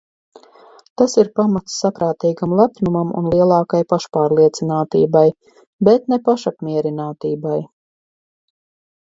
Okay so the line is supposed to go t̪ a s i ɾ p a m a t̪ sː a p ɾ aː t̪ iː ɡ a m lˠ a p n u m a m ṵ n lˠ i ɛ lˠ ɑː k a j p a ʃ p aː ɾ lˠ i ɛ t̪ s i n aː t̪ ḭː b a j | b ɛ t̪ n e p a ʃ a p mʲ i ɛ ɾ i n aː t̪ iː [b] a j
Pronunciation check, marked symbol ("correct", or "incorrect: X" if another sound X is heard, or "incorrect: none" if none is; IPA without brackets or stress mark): correct